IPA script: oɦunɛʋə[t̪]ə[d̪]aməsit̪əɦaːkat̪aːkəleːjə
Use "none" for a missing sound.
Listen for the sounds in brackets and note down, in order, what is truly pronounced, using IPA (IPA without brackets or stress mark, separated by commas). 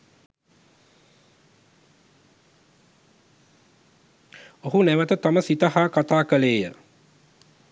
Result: t̪, t̪